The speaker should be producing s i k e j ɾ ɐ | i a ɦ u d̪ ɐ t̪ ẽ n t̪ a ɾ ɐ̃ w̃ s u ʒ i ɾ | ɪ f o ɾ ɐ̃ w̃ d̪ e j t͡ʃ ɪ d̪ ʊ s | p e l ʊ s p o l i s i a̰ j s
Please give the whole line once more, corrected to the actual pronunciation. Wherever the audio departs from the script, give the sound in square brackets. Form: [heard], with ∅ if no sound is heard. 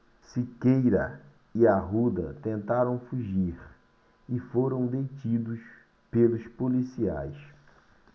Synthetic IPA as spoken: s i k e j ɾ ɐ | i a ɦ u d̪ ɐ t̪ ẽ n t̪ a ɾ ɐ̃ w̃ [f] u ʒ i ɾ | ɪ f o ɾ ɐ̃ w̃ d̪ e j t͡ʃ [i] d̪ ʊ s | p e l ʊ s p o l i s i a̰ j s